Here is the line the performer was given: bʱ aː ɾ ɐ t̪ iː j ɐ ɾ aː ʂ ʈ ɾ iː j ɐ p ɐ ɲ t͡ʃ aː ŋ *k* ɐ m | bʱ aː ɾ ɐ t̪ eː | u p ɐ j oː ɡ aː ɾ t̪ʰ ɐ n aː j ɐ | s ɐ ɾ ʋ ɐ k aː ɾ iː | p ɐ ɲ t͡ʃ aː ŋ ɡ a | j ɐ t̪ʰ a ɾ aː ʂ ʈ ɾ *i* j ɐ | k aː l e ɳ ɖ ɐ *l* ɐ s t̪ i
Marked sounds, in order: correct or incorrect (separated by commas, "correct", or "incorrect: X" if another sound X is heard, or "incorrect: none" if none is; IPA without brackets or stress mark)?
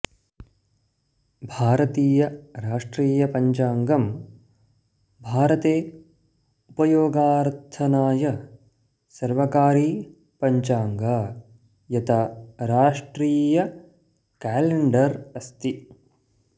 incorrect: ɡ, incorrect: iː, incorrect: ɾ